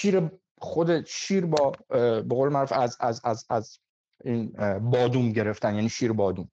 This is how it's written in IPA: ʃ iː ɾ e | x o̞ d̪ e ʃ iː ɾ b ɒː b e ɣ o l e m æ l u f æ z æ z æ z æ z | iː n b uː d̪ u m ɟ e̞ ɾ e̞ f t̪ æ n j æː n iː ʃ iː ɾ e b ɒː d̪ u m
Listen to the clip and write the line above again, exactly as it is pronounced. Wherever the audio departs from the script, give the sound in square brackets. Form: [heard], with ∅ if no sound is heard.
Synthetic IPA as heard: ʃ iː ɾ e | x o̞ d̪ e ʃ iː ɾ b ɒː b e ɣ o l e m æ [ɾ] u f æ z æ z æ z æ z | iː n b [ɒː] d̪ u m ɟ e̞ ɾ e̞ f t̪ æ n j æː n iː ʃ iː ɾ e b ɒː d̪ u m